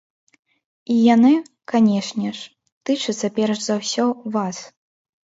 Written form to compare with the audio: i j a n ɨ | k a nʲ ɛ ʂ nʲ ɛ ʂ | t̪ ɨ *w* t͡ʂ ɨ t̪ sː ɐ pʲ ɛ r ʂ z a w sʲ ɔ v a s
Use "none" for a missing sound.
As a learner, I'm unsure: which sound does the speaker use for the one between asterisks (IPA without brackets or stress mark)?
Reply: none